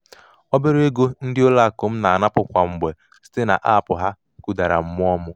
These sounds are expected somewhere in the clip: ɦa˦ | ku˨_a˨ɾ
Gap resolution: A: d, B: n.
A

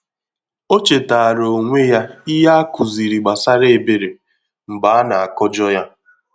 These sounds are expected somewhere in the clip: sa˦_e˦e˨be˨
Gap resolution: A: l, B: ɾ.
B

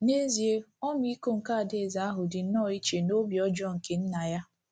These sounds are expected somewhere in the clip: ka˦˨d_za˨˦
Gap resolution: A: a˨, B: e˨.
B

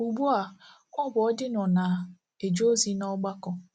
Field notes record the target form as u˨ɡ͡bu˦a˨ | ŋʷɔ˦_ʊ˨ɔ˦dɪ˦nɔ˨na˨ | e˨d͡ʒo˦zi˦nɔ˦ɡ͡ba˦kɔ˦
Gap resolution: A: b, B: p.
A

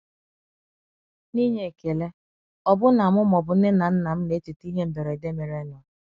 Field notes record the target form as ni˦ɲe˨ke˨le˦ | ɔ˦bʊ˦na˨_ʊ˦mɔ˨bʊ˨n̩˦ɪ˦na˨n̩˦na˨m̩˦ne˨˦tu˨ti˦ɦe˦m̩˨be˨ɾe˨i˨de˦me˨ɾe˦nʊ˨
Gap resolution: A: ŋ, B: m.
B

